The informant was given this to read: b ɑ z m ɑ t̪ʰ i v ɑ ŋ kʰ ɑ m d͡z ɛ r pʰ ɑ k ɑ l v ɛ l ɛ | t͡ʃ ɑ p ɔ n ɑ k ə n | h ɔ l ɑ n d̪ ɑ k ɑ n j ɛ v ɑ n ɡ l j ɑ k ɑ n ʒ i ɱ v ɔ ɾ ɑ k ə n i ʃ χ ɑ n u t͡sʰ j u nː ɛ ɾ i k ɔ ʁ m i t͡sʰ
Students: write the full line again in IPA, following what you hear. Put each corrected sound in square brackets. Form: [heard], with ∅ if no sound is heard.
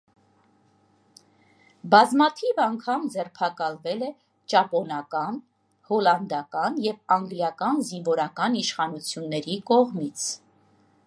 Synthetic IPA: b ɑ z m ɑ t̪ʰ i v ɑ ŋ kʰ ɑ m d͡z ɛ r pʰ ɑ k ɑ l v ɛ l ɛ | t͡ʃ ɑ p ɔ n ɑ k [ɑ] n | h ɔ l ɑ n d̪ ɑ k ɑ n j ɛ v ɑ [ŋ] ɡ l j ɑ k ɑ n [z] i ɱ v ɔ ɾ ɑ k [ɑ] n i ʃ χ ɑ n u t͡sʰ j u nː ɛ ɾ i k ɔ ʁ m i t͡sʰ